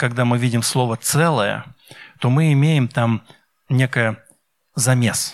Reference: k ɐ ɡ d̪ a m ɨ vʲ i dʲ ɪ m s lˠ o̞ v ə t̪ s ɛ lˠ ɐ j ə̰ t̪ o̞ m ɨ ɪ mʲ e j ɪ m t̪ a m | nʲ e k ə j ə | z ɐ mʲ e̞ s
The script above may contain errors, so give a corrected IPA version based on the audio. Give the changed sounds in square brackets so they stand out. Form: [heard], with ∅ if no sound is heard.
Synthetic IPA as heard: k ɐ ɡ d̪ a m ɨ vʲ i dʲ ɪ m s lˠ o̞ v ə t̪ s ɛ lˠ [ə] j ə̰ t̪ o̞ m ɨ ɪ mʲ e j ɪ m t̪ a m | nʲ e k ə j ə | z ɐ mʲ e̞ s